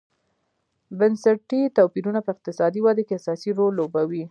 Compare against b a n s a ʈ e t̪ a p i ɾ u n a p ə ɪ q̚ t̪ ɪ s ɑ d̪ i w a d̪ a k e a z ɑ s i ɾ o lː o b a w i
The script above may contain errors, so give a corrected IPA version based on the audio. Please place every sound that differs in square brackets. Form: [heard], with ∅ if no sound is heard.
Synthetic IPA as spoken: b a n s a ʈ [i] t̪ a p i ɾ u n a p ə ɪ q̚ t̪ ɪ s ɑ d̪ i w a d̪ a k e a [s] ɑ s i ɾ o lː o b a w i